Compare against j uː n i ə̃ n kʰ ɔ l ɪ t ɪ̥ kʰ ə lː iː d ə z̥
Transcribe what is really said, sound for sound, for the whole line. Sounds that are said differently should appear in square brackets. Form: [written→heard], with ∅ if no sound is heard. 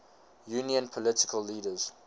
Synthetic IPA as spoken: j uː n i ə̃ n [kʰ→pʰ] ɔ l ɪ t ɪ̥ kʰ ə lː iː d ə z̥